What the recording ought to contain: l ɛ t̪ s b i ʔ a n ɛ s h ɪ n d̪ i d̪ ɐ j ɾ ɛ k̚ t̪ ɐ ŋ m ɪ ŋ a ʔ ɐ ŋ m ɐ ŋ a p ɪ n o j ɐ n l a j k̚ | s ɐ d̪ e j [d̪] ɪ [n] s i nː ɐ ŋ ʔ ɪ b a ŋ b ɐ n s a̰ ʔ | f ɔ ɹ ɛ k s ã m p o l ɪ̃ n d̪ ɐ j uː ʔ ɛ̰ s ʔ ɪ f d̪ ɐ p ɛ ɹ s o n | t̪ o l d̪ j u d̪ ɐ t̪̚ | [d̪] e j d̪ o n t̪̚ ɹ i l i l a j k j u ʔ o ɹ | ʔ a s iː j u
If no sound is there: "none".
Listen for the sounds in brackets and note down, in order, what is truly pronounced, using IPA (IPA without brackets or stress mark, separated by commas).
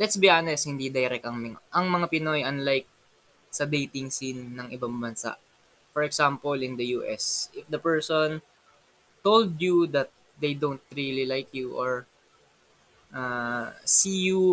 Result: t̪, ŋ, d̪